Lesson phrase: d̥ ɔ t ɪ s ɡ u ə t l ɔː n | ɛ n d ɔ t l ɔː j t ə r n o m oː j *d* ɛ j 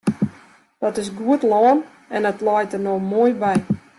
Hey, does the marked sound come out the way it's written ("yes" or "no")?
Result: no